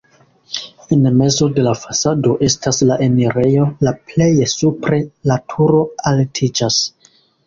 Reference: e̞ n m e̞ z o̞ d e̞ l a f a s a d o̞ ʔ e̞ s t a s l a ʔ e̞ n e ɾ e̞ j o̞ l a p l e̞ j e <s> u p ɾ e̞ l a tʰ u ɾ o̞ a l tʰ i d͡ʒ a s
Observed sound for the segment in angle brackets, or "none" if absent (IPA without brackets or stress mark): s